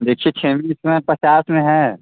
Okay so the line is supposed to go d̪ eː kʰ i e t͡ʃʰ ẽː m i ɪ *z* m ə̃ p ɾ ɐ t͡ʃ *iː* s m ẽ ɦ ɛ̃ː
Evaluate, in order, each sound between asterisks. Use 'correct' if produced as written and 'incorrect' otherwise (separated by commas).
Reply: incorrect, incorrect